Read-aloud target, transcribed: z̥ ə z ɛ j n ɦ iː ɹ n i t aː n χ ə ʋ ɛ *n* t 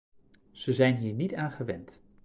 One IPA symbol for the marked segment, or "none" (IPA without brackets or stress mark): n